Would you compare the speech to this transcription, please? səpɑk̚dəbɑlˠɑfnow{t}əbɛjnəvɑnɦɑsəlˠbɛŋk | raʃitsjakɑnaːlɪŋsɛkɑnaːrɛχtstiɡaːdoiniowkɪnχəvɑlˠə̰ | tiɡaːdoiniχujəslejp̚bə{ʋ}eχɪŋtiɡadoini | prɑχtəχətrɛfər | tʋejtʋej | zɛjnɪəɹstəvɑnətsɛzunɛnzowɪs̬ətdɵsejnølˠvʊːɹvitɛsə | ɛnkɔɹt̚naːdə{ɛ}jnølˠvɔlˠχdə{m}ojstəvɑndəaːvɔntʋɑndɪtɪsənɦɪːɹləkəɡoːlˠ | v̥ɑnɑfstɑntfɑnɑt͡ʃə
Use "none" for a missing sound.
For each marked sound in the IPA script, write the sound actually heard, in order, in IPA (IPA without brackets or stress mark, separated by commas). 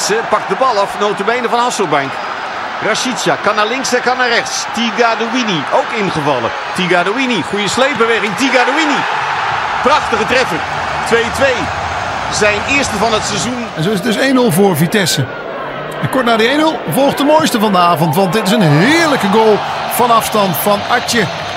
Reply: t, ʋ, e, m